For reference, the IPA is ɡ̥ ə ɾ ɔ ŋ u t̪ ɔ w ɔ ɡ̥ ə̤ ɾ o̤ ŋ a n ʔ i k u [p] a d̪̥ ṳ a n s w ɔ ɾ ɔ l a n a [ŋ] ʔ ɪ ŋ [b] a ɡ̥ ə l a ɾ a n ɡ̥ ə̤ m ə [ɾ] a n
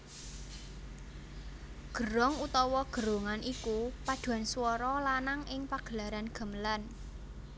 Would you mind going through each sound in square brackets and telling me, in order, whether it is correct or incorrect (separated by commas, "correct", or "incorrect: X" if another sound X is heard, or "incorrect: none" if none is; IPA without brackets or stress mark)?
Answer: correct, correct, incorrect: p, incorrect: l